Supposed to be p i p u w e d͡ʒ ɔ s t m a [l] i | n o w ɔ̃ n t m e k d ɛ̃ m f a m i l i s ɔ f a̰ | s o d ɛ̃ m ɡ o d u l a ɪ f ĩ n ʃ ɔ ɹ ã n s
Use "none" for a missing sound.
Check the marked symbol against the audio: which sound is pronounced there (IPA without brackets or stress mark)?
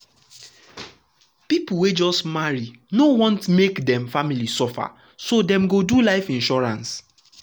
ɹ